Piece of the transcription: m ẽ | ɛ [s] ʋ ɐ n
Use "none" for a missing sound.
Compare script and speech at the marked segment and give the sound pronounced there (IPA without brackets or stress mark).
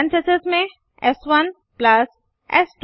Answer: s